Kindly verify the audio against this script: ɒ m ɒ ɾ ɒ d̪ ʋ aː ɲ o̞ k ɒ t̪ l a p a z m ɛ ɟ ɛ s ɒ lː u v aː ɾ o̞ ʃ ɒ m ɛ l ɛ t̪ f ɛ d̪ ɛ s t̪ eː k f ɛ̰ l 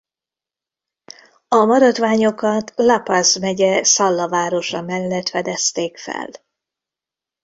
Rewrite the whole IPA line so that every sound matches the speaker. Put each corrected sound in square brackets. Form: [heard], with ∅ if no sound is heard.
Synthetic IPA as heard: ɒ m ɒ ɾ ɒ d̪ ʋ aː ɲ o̞ k ɒ t̪ l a p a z m ɛ ɟ ɛ s ɒ lː [ɒ] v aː ɾ o̞ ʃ ɒ m ɛ [lː] ɛ t̪ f ɛ d̪ ɛ s t̪ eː k f ɛ̰ l